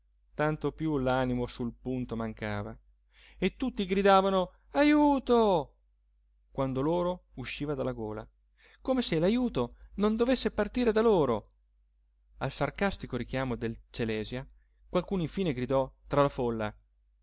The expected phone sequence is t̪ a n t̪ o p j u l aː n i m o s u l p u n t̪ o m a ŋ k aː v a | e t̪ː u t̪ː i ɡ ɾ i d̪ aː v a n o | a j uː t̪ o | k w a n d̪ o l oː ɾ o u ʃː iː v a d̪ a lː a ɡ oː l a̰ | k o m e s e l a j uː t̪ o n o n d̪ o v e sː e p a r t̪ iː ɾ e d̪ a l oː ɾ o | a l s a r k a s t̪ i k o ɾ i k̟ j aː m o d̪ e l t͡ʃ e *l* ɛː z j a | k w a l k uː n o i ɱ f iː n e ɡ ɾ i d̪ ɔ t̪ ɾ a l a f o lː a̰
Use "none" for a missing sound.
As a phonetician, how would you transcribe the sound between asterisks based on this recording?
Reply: l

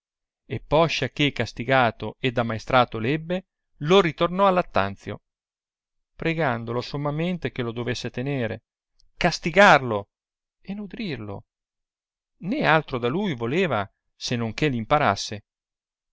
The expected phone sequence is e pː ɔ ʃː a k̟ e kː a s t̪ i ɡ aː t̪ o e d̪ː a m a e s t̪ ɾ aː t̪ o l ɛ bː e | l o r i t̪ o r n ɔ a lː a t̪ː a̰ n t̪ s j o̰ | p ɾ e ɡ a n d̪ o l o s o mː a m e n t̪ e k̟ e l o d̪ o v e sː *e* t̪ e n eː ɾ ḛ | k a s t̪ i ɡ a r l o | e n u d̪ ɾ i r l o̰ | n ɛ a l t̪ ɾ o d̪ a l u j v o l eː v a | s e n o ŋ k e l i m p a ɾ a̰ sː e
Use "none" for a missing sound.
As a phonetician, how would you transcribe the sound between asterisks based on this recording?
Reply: e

